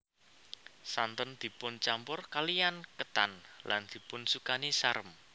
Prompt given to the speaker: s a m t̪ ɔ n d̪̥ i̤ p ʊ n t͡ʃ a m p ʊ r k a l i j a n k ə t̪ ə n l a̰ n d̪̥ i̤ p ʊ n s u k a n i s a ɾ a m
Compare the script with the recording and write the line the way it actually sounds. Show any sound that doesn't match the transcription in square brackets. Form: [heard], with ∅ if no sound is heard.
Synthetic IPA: s a [n] t̪ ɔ n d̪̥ i̤ p ʊ n t͡ʃ a m p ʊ r k a l i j a n k ə t̪ [a] n l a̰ n d̪̥ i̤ p ʊ n s u k a n i s a ɾ [ə] m

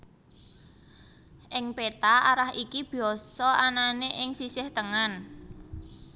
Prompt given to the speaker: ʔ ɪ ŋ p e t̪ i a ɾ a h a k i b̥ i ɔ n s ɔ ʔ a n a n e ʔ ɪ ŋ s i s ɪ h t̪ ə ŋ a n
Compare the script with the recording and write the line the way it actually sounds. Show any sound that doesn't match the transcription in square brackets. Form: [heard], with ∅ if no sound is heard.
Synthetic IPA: ʔ ɪ ŋ p e t̪ [a] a ɾ a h [i] k i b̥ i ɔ [∅] s ɔ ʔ a n a n e ʔ ɪ ŋ s i s ɪ h t̪ ə ŋ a n

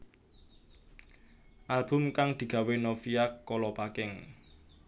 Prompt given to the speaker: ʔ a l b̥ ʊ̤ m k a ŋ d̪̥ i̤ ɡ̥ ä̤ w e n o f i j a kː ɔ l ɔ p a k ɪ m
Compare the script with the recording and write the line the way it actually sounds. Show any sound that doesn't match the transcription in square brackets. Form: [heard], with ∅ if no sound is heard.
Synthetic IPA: ʔ a l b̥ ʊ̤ m k a ŋ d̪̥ i̤ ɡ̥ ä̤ w e n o f i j a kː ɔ l ɔ p a k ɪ [ŋ]

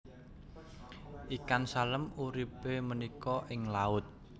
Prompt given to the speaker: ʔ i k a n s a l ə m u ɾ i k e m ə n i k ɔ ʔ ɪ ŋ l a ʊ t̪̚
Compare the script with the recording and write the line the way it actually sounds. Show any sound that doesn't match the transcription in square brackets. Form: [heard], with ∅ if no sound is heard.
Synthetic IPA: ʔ i k a n s a l ə m u ɾ i [p] e m ə n i k ɔ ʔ ɪ ŋ l a ʊ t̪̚

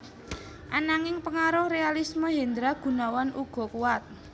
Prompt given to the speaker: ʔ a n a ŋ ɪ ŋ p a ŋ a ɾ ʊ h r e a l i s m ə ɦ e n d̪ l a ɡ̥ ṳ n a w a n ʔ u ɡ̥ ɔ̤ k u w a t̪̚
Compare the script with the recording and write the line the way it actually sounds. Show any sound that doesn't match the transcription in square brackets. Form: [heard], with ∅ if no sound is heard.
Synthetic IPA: ʔ a n a ŋ ɪ ŋ p [ə] ŋ a ɾ ʊ h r e a l i s m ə ɦ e n d̪ [ɾ] a ɡ̥ ṳ n a w a n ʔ u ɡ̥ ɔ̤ k u w a t̪̚

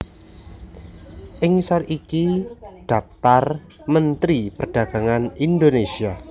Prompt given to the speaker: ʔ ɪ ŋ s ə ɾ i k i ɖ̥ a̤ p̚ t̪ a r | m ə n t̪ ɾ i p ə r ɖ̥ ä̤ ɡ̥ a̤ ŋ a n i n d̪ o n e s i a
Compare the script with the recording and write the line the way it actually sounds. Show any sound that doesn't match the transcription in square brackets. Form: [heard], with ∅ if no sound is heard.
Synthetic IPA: ʔ ɪ ŋ s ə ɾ i k i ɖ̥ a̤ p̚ t̪ a r | m ə n t̪ ɾ i p ə r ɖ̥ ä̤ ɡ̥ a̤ ŋ a n i n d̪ o n e s i a

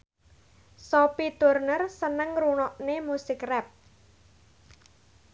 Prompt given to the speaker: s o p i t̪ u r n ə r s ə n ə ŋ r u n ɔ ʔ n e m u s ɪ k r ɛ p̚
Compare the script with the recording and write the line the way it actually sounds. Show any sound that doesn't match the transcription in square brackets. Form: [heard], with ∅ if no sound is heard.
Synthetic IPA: s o p i t̪ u r n ə r s ə n ə ŋ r u n ɔ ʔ n e m u s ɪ k r ɛ p̚

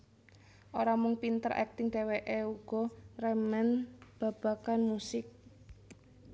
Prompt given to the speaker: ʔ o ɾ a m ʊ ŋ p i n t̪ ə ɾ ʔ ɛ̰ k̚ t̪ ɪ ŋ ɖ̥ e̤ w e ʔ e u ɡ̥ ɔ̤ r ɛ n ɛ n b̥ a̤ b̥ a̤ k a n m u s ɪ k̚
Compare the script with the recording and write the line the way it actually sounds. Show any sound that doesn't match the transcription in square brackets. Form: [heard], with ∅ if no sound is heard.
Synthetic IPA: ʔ o ɾ a m ʊ ŋ p i n t̪ ə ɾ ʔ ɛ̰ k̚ t̪ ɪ ŋ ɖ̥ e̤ w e ʔ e u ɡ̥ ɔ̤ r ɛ [m] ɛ n b̥ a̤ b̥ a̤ k a n m u s ɪ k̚

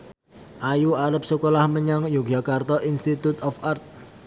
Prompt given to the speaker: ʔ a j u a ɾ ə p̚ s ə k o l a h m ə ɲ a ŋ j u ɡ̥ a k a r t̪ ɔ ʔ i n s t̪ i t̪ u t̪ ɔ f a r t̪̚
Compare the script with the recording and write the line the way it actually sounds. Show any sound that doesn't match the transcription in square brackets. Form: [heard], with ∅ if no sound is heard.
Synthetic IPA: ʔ a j u a ɾ ə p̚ s ə k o l a h m ə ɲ a ŋ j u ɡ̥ a k a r t̪ ɔ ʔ i n s t̪ i t̪ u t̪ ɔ f a r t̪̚

